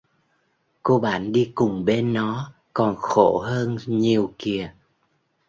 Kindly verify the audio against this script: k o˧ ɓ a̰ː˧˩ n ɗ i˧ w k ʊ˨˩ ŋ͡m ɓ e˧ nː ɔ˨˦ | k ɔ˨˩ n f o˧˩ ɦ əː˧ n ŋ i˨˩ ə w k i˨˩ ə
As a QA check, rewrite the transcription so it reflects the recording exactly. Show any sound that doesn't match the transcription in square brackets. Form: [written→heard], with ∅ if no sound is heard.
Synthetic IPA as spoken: k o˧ ɓ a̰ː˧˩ n ɗ i˧ [w→∅] k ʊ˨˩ ŋ͡m ɓ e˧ nː ɔ˨˦ | k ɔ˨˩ n [f→x] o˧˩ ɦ əː˧ n [ŋ→ɲ] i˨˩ ə w k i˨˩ ə